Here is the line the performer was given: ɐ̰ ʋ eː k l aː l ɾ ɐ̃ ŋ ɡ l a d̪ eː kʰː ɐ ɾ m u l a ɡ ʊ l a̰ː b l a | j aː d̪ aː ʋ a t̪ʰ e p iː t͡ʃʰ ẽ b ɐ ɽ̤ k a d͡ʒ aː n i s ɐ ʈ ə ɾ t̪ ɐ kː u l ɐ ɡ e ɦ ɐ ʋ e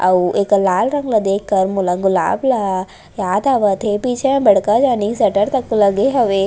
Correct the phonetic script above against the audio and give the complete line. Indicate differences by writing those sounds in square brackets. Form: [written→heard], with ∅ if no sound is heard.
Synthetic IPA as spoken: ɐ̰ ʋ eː k l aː l ɾ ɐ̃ ŋ ɡ l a d̪ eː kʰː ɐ ɾ m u l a ɡ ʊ l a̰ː b l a | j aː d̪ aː ʋ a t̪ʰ e p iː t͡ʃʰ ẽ b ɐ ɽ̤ k a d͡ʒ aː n i s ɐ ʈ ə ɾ t̪ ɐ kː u l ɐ ɡ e ɦ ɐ ʋ e